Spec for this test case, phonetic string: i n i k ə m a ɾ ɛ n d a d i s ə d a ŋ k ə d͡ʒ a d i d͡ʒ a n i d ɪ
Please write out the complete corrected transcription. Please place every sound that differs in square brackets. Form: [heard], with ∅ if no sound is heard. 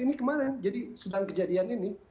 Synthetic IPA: i n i k ə m a ɾ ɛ n [d͡ʒ] a d i s ə d a ŋ k ə d͡ʒ a d i [∅] a n i [n] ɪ